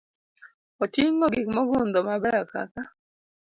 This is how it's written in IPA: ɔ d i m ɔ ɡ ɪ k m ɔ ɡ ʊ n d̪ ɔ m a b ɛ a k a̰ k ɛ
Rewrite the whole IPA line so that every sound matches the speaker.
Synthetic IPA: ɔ t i ŋ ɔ ɡ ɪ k m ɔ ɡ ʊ n d̪ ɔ m a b ɛ a k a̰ k a